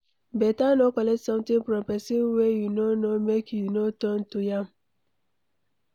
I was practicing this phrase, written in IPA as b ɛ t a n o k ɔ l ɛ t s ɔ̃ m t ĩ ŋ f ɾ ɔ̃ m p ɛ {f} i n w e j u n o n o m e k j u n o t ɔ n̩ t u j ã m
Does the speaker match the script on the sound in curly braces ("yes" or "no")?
no